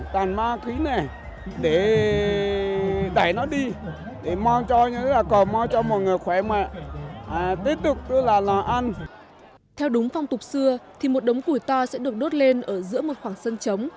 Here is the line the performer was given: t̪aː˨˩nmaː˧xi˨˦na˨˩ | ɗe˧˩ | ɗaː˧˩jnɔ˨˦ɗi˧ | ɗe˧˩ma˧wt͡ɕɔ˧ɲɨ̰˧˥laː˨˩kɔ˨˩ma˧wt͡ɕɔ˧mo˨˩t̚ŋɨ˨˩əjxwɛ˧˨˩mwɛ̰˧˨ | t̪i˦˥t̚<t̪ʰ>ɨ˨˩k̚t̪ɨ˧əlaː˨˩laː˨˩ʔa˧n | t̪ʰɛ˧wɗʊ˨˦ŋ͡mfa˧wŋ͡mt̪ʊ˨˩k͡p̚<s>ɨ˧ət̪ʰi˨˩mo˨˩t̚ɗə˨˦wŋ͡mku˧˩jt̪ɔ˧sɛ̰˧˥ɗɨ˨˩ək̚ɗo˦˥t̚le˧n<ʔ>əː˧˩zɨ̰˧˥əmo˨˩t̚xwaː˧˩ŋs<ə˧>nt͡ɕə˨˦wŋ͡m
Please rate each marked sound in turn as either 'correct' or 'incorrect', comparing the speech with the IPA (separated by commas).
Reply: incorrect, correct, correct, correct